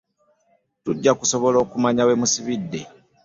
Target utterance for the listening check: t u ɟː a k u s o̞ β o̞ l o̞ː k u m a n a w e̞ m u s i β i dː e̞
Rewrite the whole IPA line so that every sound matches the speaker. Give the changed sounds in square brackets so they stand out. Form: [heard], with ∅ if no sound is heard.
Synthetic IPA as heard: t u ɟː a k u s o̞ β o̞ l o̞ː k u m a [ɲ] a w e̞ m u s i β i dː e̞